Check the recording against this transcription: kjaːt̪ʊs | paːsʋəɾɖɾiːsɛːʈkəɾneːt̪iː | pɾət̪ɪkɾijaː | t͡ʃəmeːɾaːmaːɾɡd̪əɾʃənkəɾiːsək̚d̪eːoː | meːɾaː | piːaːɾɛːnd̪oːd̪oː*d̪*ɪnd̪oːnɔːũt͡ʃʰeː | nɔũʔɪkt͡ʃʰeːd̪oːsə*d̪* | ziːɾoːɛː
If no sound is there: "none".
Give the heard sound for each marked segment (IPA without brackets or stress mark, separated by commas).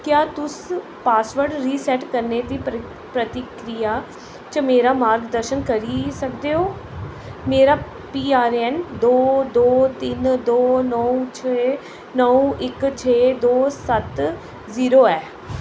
t̪, t̪